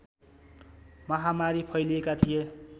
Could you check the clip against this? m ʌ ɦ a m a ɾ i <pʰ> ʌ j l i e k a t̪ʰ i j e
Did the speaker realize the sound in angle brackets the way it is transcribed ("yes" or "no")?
yes